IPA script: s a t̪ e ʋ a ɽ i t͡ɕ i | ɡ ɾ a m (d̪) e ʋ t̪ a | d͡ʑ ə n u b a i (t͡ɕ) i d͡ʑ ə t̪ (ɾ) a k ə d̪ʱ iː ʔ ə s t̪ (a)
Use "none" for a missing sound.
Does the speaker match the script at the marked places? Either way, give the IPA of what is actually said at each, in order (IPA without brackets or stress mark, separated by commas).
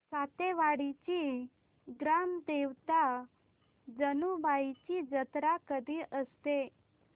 d̪, t͡ɕ, ɾ, e